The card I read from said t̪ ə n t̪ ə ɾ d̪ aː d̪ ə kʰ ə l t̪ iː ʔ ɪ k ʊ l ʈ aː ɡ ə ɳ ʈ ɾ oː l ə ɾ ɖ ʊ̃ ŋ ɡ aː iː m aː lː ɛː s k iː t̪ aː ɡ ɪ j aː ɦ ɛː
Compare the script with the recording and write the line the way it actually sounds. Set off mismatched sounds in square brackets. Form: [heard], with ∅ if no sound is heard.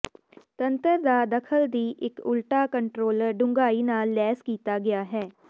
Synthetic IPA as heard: t̪ ə n t̪ ə ɾ d̪ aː d̪ ə kʰ ə l [d̪] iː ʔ ɪ k ʊ l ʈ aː [k] ə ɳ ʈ ɾ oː l ə ɾ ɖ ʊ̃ ŋ ɡ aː iː [n] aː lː ɛː s k iː t̪ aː ɡ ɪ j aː ɦ ɛː